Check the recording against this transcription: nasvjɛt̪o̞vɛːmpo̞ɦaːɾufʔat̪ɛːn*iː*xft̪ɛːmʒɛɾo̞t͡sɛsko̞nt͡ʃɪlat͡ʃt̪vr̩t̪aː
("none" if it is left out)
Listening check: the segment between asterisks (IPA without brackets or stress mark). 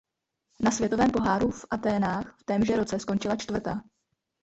aː